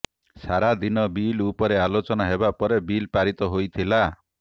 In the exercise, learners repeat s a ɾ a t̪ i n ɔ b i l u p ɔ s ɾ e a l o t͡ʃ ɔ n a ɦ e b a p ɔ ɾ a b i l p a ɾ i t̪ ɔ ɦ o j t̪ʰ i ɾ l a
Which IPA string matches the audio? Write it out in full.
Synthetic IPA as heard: s a ɾ a d̪ i n ɔ b i l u p ɔ ɾ e a l o t͡ʃ ɔ n a ɦ e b a p ɔ ɾ e b i l p a ɾ i t̪ ɔ ɦ o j t̪ʰ i l a